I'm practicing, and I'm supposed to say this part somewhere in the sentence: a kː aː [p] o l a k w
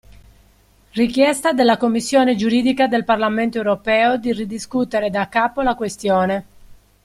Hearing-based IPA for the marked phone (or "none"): p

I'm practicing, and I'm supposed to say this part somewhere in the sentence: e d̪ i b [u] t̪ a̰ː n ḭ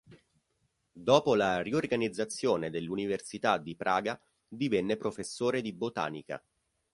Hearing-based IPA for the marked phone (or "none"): o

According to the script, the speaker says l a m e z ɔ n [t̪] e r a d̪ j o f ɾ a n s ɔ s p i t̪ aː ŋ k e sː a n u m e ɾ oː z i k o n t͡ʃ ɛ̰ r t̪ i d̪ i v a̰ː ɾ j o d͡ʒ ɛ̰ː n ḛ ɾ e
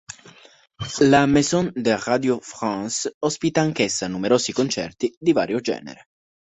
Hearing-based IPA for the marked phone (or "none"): d̪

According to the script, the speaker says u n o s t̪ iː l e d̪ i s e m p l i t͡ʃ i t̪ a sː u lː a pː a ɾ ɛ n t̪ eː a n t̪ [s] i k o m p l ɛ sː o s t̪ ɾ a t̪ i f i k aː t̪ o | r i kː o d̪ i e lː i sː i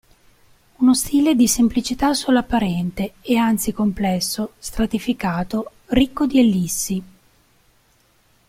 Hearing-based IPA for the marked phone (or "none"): s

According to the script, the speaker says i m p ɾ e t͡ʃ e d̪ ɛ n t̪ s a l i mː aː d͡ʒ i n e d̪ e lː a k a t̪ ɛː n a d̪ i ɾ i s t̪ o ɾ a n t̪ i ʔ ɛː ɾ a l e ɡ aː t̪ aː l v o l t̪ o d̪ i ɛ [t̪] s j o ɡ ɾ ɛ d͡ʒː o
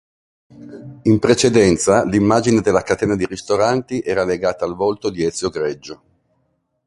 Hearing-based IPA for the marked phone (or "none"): t̪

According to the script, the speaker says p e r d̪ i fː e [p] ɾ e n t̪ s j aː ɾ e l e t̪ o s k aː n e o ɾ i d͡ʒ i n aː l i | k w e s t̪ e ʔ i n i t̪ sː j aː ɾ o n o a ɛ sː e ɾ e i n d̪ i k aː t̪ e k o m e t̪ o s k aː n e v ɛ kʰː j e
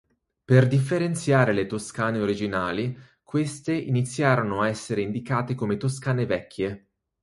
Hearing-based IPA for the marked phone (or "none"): none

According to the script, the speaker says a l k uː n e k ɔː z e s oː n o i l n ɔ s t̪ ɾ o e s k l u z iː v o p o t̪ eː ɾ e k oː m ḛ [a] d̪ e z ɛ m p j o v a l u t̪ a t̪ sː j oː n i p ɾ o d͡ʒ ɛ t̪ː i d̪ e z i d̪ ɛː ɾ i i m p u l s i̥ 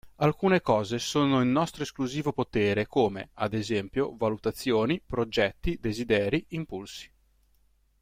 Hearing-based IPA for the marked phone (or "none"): a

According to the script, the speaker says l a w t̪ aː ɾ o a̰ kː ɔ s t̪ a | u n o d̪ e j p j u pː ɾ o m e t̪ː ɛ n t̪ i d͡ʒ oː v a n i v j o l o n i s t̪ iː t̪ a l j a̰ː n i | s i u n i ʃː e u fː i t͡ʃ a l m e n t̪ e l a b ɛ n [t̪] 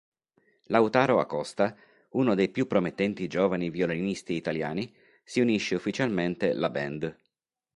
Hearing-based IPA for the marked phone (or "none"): d̪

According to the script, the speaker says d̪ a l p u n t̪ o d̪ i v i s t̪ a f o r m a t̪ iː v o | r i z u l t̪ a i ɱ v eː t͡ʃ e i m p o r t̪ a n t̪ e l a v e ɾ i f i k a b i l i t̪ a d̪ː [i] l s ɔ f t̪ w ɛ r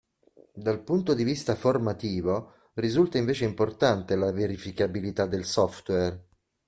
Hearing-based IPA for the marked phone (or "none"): e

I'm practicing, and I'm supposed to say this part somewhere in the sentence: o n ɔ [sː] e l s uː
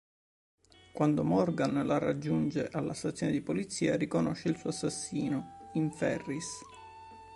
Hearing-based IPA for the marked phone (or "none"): ʃː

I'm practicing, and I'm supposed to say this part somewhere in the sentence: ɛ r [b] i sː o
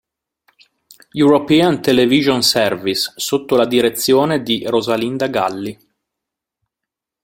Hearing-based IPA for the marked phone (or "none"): v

